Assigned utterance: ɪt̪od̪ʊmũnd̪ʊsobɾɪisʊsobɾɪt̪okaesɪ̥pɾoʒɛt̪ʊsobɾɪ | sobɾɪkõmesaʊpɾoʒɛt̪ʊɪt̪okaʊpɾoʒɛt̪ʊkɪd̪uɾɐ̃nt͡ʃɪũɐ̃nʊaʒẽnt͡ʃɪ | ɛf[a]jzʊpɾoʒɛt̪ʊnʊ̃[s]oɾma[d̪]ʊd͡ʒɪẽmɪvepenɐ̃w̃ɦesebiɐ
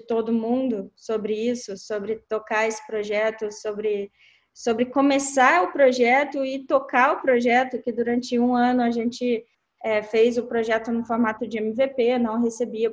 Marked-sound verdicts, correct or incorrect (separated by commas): incorrect, incorrect, incorrect